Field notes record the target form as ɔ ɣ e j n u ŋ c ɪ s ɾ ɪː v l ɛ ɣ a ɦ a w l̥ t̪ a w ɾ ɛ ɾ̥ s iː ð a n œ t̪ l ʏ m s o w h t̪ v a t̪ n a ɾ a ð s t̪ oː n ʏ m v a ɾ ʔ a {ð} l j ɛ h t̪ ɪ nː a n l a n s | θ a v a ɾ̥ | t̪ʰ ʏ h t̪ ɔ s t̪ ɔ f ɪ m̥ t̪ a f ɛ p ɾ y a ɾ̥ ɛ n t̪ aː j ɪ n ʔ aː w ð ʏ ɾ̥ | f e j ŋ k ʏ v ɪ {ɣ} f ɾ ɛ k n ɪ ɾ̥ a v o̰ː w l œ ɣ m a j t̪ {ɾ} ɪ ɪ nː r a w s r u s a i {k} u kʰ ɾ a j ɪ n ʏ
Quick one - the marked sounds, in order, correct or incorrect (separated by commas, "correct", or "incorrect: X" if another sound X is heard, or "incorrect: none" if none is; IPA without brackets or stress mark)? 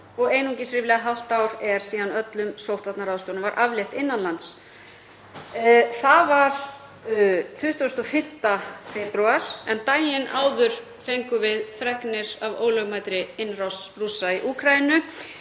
incorrect: v, incorrect: ð, correct, incorrect: ʔ